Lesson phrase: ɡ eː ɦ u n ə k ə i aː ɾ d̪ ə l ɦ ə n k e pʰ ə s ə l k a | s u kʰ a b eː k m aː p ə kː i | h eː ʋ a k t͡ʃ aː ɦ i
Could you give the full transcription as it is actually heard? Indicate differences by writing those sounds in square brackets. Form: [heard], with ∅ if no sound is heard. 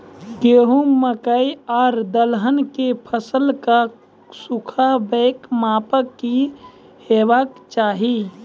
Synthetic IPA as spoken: ɡ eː ɦ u [m] ə k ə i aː ɾ d̪ ə l ɦ ə n k e pʰ ə s ə l k a | s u kʰ a b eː k m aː p ə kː i | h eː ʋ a k t͡ʃ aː ɦ i